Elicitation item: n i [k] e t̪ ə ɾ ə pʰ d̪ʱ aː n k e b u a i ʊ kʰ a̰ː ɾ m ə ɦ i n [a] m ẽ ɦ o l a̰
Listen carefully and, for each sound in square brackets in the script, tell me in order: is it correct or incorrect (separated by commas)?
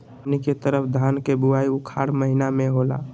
correct, correct